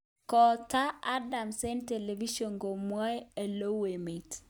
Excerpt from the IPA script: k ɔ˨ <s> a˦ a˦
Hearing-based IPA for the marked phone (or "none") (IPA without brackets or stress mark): t